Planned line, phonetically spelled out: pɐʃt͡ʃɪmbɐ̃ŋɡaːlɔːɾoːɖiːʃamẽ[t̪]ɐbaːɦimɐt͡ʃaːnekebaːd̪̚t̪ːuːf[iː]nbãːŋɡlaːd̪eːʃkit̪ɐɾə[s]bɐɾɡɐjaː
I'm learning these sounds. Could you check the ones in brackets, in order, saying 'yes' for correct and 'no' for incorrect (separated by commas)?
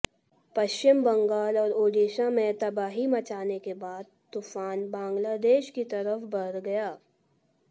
yes, no, no